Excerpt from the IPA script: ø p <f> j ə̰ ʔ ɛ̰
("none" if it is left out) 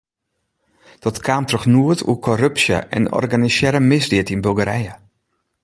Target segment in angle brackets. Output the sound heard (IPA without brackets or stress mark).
s